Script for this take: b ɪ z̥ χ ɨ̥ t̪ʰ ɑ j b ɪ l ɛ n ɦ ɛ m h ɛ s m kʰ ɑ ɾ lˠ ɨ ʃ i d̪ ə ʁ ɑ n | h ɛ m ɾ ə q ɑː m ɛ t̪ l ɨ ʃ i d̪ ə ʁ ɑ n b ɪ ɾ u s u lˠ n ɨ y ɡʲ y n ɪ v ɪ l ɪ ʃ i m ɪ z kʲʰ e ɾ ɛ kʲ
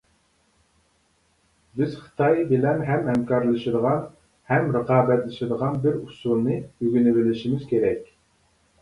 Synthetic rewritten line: b ɪ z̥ χ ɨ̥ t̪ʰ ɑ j b ɪ l ɛ n ɦ ɛ m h ɛ m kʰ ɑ ɾ lˠ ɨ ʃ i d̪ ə ʁ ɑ n | h ɛ m ɾ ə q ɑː b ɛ t̪ l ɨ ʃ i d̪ ə ʁ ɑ n b ɪ ɾ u s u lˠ n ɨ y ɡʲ y n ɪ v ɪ l ɪ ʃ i m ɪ z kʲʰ e ɾ ɛ kʲ